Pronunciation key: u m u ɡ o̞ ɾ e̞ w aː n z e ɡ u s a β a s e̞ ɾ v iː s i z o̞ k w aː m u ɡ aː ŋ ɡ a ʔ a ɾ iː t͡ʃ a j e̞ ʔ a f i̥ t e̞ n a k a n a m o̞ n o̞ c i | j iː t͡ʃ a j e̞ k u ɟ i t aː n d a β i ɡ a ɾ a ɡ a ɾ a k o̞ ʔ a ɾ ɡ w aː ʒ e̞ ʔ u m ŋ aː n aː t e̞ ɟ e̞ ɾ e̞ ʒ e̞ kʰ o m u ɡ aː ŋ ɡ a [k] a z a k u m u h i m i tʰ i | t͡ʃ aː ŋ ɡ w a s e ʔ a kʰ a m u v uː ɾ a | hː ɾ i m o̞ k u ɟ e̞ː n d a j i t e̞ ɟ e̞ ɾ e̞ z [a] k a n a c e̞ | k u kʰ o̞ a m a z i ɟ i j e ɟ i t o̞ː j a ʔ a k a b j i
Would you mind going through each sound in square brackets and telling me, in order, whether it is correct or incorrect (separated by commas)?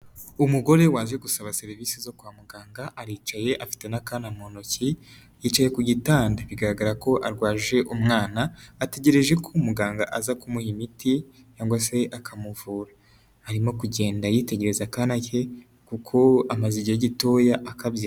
incorrect, correct